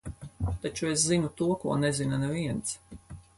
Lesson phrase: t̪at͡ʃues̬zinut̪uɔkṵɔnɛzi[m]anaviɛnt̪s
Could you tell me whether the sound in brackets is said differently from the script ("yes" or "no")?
yes